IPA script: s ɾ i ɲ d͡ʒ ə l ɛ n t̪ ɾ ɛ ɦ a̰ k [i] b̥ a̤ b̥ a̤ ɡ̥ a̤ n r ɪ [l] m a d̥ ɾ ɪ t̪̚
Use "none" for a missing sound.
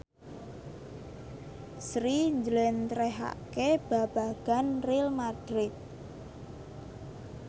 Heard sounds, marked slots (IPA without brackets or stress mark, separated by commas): e, l